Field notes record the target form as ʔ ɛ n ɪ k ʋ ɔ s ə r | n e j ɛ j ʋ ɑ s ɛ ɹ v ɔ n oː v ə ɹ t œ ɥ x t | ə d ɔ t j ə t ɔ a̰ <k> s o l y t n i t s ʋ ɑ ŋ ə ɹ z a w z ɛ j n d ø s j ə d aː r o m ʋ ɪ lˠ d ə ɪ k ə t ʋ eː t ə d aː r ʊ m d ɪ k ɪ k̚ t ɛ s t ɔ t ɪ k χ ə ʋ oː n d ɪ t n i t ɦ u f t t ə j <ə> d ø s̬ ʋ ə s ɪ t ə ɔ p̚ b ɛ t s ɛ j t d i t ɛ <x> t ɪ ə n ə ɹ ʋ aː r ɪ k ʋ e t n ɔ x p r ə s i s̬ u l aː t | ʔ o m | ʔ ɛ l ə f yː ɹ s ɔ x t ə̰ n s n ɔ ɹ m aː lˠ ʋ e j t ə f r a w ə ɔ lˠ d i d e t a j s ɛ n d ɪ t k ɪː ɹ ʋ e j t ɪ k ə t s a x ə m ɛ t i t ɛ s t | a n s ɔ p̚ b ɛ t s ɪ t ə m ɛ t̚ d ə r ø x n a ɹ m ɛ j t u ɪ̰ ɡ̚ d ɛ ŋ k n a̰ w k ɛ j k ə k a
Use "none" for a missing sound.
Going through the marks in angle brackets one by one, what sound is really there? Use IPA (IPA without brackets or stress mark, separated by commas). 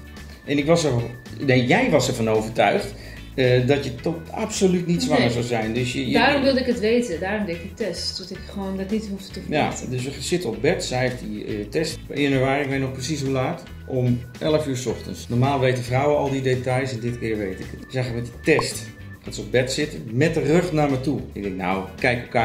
p, a, s